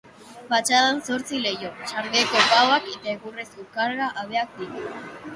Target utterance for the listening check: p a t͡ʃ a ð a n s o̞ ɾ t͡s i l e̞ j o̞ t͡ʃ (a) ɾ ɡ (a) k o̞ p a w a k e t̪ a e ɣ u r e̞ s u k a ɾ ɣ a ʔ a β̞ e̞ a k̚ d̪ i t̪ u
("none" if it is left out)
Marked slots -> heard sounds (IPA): a, e

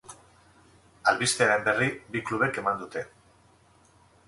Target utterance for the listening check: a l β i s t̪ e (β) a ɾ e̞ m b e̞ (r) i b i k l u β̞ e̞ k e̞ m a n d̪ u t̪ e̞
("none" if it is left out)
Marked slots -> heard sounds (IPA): none, r

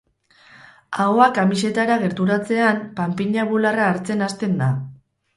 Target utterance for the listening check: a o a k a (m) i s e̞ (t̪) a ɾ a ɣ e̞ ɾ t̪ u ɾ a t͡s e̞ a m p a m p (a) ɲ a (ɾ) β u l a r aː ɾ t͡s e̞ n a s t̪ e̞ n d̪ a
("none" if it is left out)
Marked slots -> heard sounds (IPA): m, t̪, i, none

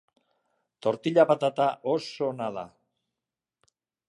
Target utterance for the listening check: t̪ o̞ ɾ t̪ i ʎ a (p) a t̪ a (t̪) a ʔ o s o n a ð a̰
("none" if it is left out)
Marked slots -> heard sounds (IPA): p, t̪

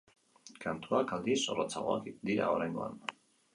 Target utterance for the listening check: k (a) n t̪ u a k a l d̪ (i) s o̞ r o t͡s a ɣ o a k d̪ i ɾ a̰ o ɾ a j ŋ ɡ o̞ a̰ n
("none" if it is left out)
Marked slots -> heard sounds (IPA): a, i

